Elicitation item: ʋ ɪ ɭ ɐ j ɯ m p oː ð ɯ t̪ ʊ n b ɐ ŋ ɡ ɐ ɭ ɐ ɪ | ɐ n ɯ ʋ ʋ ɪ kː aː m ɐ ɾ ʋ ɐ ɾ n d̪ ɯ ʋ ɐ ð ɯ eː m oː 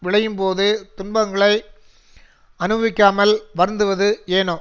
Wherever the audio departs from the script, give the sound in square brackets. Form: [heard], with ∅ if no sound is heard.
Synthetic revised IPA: ʋ ɪ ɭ ɐ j ɯ m p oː ð ɯ t̪ ʊ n b ɐ ŋ ɡ ɐ ɭ ɐ ɪ | ɐ n ɯ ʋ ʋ ɪ kː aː m ɐ [l] ʋ ɐ ɾ n d̪ ɯ ʋ ɐ ð ɯ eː [n] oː